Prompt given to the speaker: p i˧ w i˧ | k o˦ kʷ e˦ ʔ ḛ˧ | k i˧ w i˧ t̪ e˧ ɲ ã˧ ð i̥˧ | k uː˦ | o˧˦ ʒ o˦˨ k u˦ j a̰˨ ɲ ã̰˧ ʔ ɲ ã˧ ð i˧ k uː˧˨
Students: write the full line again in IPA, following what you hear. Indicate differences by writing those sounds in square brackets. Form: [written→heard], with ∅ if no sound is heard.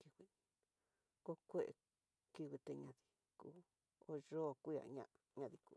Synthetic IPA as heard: [p→k] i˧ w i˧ | k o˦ kʷ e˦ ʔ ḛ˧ | k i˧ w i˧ t̪ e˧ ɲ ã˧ ð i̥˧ | k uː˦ | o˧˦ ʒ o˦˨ k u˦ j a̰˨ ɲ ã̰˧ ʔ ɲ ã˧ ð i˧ k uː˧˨

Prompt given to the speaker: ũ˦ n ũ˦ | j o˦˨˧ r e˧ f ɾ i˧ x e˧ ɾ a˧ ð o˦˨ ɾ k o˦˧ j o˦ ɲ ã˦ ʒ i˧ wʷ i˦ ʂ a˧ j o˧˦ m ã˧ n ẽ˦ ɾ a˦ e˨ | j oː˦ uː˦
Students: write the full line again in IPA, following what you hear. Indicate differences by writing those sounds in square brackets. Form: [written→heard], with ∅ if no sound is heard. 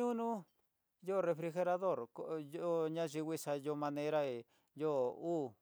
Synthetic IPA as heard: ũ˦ n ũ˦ | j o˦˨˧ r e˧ f ɾ i˧ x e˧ ɾ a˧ ð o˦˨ ɾ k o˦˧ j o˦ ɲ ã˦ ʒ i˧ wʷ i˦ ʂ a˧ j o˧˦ m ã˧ n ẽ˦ ɾ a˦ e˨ | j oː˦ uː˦

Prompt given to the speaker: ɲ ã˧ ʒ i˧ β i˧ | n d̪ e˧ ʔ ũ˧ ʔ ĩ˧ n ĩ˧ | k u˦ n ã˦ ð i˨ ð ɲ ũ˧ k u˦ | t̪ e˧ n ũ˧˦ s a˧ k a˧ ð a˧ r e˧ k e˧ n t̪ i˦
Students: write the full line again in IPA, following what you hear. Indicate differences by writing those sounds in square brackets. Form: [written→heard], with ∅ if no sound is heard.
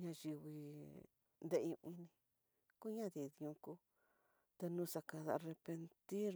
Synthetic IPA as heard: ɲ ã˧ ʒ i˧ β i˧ | n d̪ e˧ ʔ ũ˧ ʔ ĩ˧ n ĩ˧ | k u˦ [n→ɲ] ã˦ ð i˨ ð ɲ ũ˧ k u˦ | t̪ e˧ n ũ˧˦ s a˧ k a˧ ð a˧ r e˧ [k→p] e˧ n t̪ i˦

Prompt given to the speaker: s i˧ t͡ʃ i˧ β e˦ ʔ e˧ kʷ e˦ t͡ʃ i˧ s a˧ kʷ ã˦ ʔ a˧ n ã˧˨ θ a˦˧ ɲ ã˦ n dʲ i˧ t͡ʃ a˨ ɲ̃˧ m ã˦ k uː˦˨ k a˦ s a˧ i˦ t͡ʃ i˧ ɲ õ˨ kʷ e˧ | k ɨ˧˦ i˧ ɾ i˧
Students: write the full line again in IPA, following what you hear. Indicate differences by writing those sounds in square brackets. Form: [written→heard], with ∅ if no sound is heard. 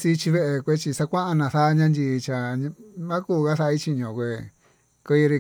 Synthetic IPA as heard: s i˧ t͡ʃ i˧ β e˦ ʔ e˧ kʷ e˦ t͡ʃ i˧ s a˧ kʷ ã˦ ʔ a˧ n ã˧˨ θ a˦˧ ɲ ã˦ n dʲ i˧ t͡ʃ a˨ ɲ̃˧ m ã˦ k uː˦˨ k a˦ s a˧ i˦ t͡ʃ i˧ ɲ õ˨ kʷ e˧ | k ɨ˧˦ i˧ ɾ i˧

